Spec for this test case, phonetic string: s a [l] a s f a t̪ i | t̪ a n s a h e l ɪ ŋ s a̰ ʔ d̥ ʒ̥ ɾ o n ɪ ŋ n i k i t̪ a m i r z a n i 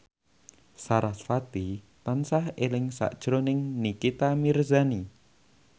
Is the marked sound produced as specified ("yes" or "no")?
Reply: no